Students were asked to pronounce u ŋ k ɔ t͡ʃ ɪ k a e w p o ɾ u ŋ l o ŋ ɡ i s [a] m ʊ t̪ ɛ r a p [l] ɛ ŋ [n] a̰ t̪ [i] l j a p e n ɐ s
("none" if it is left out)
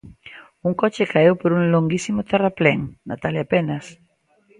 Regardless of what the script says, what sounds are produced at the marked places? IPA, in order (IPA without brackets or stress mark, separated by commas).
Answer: i, l, n, a